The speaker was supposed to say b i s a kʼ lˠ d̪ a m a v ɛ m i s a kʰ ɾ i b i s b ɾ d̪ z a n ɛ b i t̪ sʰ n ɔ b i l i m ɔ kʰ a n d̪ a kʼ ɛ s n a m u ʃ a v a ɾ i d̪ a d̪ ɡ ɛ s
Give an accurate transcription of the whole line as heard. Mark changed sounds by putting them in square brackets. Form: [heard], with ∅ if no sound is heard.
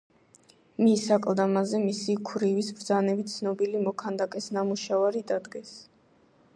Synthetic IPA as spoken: [m] i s a kʼ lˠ d̪ a m a [z] ɛ m i s [i] kʰ ɾ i [v] i s b ɾ d̪ z a n ɛ b i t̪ sʰ n ɔ b i l i m ɔ kʰ a n d̪ a kʼ ɛ s n a m u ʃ a v a ɾ i d̪ a d̪ ɡ ɛ s